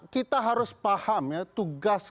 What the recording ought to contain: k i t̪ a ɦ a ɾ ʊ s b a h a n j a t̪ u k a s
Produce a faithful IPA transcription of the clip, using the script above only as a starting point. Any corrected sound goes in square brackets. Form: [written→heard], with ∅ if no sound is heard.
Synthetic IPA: k i t̪ a ɦ a ɾ ʊ s [b→p] a h a [n→m] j a t̪ u [k→ɡ] a s